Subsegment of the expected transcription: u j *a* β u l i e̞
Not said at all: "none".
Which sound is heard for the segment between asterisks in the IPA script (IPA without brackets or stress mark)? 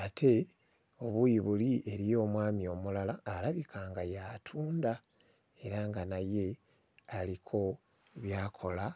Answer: i